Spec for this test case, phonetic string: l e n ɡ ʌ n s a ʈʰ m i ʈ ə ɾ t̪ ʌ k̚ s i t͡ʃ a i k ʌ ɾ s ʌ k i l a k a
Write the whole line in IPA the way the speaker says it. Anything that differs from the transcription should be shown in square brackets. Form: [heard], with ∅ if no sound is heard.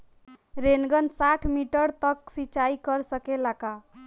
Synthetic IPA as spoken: [ɾ] e n ɡ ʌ n s a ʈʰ m i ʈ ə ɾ t̪ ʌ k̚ s i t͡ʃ a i k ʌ ɾ s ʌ k [e] l a k a